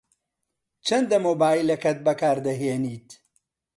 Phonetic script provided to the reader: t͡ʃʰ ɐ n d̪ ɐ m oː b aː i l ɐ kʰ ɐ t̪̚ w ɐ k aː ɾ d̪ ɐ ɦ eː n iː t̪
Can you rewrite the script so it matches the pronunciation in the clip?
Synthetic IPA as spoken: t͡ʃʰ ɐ n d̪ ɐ m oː b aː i l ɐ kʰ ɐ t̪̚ b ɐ k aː ɾ d̪ ɐ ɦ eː n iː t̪